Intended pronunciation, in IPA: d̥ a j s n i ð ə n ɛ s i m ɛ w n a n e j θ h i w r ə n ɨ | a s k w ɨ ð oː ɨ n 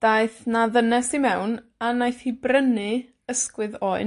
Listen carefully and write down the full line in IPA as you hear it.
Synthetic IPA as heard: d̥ a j θ n a ð ə n ɛ s i m ɛ w n a n a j θ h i b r ə n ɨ | ə s k w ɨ ð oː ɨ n